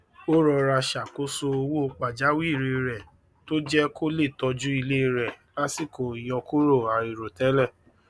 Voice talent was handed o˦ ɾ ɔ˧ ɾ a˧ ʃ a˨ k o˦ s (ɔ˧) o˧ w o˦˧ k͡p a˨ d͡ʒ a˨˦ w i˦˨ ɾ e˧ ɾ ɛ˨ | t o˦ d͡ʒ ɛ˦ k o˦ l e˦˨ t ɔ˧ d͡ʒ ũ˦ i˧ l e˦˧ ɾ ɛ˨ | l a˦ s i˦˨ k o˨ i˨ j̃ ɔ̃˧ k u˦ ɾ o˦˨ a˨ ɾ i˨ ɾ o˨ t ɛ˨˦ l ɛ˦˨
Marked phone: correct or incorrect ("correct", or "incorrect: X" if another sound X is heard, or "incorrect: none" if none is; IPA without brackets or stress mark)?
incorrect: o˧